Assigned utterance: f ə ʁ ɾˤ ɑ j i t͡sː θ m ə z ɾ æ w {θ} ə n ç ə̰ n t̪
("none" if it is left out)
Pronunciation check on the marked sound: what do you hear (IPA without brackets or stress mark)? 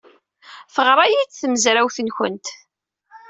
θ